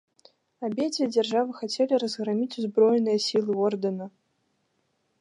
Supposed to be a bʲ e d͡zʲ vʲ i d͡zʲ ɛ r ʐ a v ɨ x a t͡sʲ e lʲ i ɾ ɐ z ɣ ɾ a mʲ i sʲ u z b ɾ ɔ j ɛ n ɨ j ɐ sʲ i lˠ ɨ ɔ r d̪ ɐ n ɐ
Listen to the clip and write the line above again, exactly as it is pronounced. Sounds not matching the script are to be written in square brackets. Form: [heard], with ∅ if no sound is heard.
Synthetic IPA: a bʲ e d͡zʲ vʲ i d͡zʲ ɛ r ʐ a v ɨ x a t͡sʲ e lʲ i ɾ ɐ z ɣ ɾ a mʲ i [t͡sʲ] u z b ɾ ɔ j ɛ n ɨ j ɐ sʲ i lˠ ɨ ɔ r d̪ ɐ n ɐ